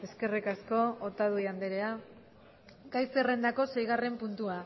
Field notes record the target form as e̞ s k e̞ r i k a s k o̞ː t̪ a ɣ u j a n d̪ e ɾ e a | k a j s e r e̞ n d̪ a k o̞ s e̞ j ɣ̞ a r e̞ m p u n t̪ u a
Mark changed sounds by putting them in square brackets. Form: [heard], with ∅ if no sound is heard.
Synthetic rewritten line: e̞ s k e̞ r i k a s k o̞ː t̪ a [ð] u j a n d̪ e ɾ e a | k a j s e r e̞ n d̪ a k o̞ s e̞ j ɣ̞ a r e̞ m p u n t̪ u a